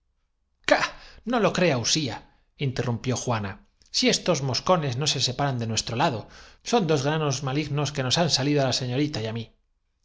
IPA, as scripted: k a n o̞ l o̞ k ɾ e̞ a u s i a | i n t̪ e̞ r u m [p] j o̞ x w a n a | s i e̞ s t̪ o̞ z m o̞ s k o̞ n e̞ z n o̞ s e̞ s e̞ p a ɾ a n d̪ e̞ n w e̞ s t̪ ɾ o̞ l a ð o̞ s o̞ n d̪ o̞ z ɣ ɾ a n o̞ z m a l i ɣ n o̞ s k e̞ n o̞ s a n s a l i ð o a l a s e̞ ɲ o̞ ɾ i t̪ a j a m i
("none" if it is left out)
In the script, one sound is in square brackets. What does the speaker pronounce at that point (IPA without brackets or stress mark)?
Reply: p